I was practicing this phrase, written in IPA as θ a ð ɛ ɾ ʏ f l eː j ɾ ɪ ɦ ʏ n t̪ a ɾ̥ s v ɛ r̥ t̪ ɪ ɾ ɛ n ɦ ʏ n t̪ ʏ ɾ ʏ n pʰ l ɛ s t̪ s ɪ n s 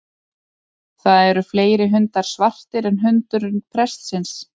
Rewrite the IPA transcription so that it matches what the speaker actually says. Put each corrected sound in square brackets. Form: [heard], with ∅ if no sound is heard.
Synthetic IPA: θ a ð ɛ ɾ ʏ f l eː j ɾ ɪ ɦ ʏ n t̪ a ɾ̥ s v [a] r̥ t̪ ɪ ɾ ɛ n ɦ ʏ n t̪ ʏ ɾ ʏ n pʰ [ɾ] ɛ s t̪ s ɪ n s